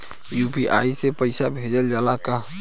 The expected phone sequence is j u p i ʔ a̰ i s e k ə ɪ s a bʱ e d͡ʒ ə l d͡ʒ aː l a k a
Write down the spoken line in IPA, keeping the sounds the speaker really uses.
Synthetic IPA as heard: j u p i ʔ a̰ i s e p ə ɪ s a bʱ e d͡ʒ ə l d͡ʒ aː l a k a